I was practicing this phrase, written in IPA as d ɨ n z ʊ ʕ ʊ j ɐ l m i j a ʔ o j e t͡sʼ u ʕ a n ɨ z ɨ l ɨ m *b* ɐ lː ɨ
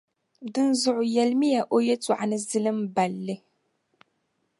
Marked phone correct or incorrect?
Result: correct